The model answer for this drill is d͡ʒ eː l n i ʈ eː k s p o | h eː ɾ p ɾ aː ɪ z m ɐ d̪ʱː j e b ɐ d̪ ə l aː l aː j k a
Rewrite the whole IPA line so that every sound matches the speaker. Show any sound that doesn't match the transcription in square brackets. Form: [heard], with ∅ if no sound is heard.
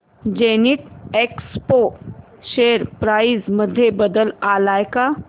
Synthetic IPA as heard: d͡ʒ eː [∅] n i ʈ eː k s p o | [ʃ] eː ɾ p ɾ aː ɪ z m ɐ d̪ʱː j e b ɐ d̪ ə l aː l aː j k a